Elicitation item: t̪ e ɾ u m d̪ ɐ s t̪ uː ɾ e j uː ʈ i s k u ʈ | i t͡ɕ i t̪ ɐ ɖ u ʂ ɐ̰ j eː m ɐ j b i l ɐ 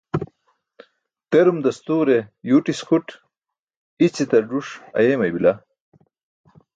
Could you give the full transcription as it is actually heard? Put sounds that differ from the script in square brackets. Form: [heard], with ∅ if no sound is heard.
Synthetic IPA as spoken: t̪ e ɾ u m d̪ ɐ s t̪ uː ɾ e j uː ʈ i s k u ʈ | i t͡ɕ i t̪ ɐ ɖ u ʂ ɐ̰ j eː m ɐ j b i l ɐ